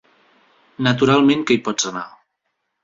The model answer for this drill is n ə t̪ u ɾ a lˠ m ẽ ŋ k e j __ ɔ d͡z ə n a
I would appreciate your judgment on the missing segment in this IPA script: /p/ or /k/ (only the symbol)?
p